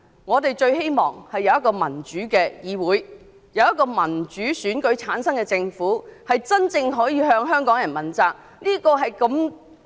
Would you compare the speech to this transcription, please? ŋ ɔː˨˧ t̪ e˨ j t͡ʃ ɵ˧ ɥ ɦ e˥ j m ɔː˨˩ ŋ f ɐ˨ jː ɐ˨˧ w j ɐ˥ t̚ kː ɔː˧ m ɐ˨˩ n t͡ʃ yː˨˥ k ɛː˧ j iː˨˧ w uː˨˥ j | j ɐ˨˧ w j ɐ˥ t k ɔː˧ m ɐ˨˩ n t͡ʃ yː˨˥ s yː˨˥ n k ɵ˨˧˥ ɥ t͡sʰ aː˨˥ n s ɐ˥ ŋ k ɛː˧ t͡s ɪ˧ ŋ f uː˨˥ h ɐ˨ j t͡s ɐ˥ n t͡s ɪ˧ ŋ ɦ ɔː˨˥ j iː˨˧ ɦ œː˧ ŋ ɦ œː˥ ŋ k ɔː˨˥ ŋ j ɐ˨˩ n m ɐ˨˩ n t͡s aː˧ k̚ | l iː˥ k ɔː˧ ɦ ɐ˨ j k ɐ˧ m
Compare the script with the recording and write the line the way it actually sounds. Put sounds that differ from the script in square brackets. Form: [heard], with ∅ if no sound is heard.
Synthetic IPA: ŋ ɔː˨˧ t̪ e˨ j t͡ʃ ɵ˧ ɥ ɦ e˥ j m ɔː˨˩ ŋ [h] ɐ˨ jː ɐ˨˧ w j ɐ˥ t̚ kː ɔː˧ m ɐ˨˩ n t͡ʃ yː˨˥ k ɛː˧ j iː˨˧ w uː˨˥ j | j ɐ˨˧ w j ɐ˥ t k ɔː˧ m ɐ˨˩ n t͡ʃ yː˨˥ s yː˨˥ n k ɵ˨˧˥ ɥ t͡sʰ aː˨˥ n s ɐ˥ ŋ k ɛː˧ t͡s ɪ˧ ŋ f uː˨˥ h ɐ˨ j t͡s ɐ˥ n t͡s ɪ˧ ŋ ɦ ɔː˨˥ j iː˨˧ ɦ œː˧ ŋ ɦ œː˥ ŋ k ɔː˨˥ ŋ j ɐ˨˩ n m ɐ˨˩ n t͡s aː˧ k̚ | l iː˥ k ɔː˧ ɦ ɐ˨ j k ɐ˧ m